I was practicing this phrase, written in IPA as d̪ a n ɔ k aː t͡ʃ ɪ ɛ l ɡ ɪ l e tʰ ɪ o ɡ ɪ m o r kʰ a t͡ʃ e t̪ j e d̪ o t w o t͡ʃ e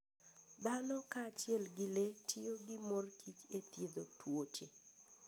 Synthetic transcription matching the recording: d̪ a n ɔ k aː t͡ʃ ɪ ɛ l ɡ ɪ l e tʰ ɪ o ɡ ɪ m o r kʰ i t͡ʃ e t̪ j e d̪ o t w o t͡ʃ e